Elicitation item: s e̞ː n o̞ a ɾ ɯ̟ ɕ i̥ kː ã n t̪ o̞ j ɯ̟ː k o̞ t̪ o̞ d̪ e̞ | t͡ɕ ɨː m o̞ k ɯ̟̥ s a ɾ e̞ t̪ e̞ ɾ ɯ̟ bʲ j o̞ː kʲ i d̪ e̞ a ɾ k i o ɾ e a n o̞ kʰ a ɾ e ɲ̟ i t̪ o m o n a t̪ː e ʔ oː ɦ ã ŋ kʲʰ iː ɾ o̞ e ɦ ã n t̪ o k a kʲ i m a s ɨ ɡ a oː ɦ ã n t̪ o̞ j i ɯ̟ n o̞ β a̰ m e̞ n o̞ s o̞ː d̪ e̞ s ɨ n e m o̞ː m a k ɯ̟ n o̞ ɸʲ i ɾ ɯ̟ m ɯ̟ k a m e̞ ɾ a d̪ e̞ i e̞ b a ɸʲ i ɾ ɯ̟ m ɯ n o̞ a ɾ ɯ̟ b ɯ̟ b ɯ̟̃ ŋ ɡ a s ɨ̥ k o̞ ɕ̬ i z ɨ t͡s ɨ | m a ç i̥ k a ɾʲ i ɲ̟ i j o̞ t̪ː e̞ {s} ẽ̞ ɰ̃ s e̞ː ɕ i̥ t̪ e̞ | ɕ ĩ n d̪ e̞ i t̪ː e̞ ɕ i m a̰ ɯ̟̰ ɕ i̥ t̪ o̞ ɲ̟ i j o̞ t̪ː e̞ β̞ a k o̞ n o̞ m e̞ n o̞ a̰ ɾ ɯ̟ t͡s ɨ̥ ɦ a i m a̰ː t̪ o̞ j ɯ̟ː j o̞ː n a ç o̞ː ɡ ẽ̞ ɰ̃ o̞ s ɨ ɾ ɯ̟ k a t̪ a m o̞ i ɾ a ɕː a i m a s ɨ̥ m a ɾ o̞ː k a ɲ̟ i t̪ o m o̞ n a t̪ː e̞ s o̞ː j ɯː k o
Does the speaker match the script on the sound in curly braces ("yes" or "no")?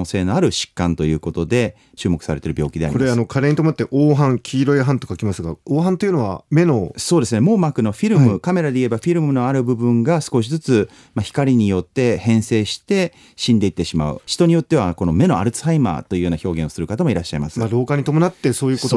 no